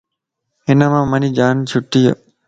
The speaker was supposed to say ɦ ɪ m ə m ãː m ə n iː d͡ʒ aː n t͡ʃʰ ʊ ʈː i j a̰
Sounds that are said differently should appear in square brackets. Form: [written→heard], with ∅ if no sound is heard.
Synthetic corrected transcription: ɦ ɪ [m→n] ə m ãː m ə n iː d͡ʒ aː n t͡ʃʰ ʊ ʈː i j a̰